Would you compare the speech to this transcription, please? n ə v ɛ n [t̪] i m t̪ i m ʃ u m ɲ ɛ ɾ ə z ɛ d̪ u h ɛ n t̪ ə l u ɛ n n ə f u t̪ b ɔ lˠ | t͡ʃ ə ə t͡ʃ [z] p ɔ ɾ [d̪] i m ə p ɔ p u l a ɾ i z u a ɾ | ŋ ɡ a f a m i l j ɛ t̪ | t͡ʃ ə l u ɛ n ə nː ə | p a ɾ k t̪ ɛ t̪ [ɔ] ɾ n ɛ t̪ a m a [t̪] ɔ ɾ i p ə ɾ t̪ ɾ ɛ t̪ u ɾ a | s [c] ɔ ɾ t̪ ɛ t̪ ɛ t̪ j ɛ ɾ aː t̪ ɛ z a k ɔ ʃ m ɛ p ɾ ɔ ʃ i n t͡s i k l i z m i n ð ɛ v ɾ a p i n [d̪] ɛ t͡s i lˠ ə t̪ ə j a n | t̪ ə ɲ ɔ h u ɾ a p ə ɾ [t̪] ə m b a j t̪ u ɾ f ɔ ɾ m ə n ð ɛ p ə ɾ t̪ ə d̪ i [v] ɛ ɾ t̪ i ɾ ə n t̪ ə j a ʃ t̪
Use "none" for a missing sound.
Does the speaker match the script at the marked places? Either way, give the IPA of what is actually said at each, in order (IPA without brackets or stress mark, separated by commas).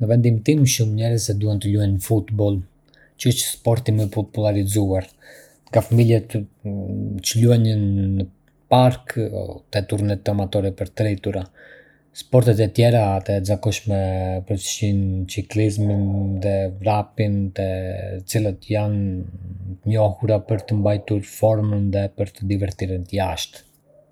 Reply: d̪, s, t̪, u, t̪, p, t̪, t̪, v